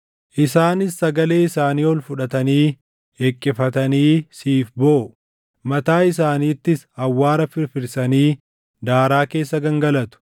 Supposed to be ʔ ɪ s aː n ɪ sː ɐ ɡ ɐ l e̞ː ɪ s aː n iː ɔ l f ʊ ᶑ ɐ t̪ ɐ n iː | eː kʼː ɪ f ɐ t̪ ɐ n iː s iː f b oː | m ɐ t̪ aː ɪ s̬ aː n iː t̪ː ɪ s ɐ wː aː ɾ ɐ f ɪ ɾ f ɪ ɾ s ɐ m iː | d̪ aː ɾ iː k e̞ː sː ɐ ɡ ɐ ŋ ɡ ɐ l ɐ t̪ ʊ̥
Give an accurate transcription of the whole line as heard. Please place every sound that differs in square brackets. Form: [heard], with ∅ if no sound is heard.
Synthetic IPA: ʔ ɪ s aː n ɪ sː ɐ ɡ ɐ l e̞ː ɪ s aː n iː ɔ l f ʊ ᶑ ɐ t̪ ɐ n iː | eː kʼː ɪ f ɐ t̪ ɐ n iː s iː f b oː | m ɐ t̪ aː ɪ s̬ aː n iː t̪ː ɪ s ɐ wː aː ɾ ɐ f ɪ ɾ f ɪ ɾ s ɐ [n] iː | d̪ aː ɾ [aː] k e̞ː sː ɐ ɡ ɐ ŋ ɡ ɐ l ɐ t̪ ʊ̥